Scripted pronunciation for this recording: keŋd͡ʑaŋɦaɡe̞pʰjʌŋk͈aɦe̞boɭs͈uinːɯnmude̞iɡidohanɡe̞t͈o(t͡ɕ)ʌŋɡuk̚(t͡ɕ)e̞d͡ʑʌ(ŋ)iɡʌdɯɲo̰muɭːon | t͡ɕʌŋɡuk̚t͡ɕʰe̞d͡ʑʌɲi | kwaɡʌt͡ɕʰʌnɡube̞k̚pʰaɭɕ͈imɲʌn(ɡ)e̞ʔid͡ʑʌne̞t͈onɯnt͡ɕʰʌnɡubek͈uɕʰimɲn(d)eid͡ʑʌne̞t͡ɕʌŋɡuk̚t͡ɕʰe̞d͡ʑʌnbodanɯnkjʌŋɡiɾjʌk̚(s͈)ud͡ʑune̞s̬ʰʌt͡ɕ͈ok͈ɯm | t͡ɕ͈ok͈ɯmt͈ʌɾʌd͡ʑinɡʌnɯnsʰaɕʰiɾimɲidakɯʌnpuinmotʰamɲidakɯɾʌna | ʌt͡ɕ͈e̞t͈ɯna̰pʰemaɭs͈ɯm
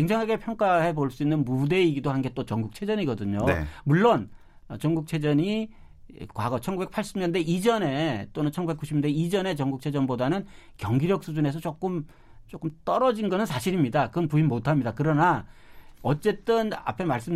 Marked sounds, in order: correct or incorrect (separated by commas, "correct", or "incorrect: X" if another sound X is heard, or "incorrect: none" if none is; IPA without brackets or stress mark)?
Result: correct, incorrect: t͡ɕʰ, incorrect: ɲ, incorrect: d, correct, correct